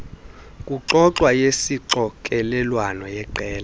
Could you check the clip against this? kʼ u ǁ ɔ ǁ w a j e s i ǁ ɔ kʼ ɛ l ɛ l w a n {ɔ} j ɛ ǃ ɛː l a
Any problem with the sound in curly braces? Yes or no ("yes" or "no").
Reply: no